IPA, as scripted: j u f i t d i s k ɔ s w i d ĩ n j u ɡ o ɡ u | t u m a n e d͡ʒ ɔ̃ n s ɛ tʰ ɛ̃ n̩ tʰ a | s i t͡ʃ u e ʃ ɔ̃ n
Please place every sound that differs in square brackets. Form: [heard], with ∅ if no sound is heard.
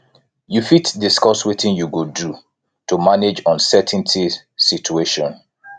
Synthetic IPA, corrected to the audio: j u f i t d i s k ɔ s w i [t] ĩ n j u ɡ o [d] u | t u m a n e d͡ʒ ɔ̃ n s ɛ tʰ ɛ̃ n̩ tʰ [i] | s i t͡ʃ u e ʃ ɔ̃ n